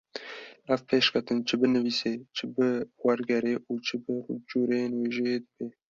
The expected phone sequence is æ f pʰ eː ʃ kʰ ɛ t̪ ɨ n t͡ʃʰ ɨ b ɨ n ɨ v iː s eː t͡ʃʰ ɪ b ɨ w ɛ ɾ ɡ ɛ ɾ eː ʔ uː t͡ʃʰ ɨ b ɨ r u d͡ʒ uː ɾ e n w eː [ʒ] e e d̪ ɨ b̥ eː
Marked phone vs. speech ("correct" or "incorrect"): correct